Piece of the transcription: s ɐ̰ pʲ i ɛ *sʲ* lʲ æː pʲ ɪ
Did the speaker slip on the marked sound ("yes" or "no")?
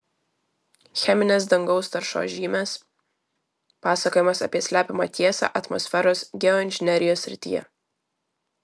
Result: no